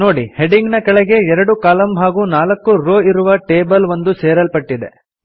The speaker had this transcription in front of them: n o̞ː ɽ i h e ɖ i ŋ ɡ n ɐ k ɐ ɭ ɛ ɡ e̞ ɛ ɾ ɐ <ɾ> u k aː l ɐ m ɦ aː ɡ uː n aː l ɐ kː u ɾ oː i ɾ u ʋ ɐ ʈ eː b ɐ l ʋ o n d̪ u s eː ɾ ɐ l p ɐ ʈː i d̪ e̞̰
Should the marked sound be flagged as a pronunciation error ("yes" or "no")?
yes